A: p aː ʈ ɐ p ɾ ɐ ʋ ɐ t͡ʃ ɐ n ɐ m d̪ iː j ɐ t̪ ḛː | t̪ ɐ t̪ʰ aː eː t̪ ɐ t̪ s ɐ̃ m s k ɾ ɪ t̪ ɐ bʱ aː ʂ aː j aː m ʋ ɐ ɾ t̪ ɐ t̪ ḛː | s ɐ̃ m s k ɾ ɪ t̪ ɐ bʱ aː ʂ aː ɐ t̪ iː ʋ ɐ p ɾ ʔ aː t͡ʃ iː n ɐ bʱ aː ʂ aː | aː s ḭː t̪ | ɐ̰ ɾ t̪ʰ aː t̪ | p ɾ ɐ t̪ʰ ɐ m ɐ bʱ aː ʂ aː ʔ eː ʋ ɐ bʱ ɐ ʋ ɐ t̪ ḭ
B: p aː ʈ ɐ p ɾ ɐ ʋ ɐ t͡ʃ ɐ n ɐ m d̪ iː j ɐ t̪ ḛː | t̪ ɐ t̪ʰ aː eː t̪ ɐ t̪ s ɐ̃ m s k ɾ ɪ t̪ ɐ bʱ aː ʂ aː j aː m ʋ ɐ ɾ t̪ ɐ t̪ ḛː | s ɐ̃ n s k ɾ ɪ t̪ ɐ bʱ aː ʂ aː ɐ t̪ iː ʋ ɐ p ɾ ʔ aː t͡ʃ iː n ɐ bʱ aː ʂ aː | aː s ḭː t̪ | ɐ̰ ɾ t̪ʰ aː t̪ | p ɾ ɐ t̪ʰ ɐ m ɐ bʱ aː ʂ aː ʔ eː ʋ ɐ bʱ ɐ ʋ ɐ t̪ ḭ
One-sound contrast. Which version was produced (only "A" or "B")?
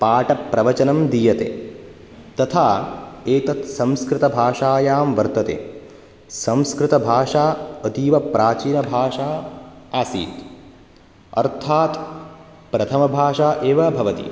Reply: A